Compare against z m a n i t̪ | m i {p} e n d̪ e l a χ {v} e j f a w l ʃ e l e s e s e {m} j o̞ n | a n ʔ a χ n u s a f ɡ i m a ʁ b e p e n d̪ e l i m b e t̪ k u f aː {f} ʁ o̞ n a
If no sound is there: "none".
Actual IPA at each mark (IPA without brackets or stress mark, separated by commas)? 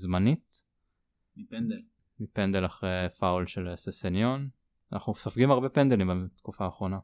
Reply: p, ʁ, n, χ